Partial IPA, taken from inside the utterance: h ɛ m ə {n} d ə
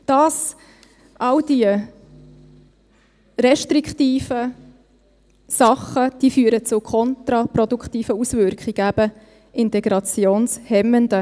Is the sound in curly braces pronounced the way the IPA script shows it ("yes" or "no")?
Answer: yes